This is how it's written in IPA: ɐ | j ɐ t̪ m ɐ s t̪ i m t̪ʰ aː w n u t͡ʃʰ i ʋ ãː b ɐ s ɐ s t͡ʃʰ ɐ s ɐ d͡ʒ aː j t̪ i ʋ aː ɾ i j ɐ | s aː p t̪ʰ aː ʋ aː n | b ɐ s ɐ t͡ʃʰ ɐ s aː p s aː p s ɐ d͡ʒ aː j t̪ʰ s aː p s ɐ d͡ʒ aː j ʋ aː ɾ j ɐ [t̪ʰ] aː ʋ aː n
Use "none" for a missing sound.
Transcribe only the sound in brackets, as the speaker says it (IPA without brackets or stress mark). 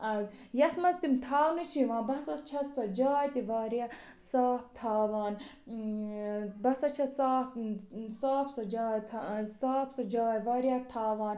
t̪ʰ